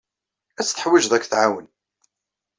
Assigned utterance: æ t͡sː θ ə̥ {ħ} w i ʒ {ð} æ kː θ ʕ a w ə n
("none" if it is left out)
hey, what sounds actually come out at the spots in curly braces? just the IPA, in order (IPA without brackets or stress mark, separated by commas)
ħ, ð